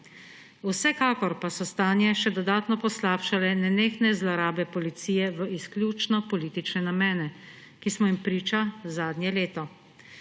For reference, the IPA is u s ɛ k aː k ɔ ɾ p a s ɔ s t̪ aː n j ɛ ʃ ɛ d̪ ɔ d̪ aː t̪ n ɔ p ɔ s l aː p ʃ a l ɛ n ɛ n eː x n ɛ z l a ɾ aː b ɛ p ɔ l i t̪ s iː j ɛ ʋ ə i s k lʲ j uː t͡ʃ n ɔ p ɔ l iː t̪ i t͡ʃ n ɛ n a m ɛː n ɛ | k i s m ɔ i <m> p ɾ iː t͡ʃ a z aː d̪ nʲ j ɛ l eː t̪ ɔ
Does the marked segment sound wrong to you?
no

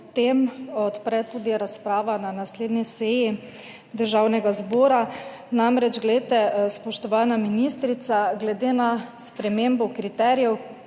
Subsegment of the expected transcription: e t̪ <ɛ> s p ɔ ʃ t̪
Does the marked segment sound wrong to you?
no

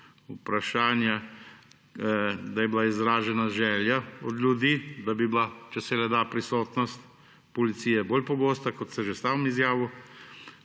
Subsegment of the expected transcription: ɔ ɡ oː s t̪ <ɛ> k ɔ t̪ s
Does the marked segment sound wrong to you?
yes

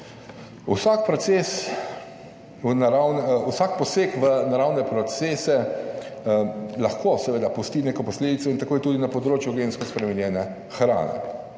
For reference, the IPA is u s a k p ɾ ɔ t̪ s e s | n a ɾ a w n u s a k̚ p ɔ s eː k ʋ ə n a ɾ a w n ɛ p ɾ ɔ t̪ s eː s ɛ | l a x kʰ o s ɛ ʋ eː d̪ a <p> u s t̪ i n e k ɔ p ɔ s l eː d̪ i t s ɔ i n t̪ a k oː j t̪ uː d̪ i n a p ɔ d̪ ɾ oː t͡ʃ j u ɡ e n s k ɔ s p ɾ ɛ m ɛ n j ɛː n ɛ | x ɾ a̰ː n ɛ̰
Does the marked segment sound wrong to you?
no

